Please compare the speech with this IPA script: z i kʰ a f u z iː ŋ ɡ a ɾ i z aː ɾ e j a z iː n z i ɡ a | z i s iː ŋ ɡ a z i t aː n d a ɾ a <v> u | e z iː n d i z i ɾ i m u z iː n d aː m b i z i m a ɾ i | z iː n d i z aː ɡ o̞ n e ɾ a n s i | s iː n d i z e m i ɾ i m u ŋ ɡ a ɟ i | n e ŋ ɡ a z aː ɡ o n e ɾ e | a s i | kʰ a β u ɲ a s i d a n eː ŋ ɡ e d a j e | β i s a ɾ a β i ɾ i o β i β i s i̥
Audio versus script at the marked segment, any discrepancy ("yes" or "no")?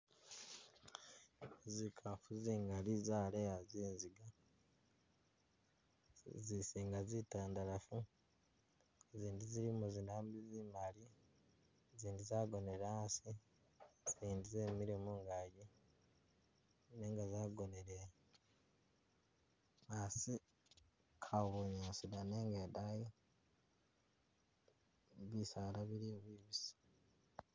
yes